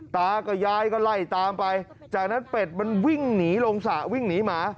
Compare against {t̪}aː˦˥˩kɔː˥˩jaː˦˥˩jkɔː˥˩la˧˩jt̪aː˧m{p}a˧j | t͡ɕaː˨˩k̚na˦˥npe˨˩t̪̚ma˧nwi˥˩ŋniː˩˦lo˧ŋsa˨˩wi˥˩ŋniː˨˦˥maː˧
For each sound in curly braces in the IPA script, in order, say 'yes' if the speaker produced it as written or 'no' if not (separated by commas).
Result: yes, yes